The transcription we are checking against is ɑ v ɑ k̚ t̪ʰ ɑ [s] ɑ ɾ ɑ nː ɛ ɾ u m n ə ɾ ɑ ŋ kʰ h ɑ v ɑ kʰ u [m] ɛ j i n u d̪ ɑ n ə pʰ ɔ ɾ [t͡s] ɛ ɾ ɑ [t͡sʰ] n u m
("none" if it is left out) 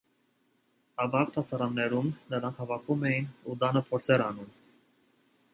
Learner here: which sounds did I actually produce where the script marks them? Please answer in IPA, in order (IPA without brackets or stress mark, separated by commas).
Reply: s, m, t͡sʰ, none